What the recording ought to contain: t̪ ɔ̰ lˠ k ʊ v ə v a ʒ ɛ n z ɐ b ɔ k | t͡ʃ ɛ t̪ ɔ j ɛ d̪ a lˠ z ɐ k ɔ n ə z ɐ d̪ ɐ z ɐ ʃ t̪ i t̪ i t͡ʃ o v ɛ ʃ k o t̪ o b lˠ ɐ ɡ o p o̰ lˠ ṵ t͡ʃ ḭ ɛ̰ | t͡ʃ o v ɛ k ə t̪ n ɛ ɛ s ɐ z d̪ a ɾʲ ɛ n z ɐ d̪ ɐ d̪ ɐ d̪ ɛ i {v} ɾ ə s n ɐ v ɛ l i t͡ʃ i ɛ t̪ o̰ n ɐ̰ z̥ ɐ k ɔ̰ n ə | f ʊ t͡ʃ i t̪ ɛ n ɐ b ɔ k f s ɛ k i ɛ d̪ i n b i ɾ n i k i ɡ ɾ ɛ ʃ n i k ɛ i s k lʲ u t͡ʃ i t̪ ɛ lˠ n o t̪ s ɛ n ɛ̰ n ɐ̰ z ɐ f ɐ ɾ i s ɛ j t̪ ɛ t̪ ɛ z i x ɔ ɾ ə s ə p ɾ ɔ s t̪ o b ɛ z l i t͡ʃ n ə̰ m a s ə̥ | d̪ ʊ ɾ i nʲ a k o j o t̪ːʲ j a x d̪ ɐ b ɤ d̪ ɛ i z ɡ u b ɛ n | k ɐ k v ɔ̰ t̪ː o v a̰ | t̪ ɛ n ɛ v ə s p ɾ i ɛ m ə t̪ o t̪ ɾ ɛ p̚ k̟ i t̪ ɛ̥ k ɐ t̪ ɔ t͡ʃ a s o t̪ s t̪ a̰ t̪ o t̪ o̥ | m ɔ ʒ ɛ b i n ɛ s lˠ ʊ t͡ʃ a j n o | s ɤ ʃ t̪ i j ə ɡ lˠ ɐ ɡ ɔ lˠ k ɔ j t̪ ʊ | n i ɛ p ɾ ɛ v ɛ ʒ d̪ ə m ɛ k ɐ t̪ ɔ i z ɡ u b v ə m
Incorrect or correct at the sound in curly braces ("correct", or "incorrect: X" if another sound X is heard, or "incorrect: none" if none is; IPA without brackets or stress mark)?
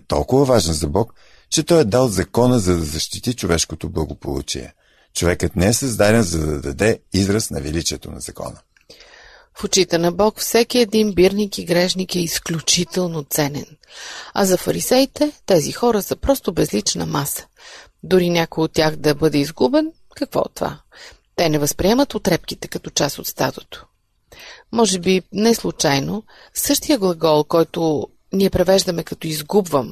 incorrect: z